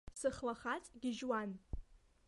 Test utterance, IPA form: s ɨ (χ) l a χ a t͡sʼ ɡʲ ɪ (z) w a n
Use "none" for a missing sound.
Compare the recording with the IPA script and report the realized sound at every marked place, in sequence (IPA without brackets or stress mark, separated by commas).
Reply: χ, ʒ